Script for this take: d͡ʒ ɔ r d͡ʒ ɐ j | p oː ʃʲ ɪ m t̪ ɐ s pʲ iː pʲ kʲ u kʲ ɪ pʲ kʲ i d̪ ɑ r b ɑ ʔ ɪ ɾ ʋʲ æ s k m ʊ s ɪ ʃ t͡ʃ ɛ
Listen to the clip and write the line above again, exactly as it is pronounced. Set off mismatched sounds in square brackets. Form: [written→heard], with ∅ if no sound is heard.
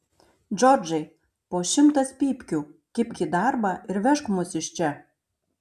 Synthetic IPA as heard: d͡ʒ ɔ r d͡ʒ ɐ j | p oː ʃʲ ɪ m t̪ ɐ s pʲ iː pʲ kʲ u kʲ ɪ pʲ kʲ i d̪ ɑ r b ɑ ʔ ɪ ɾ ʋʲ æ [s→ʃ] k m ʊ s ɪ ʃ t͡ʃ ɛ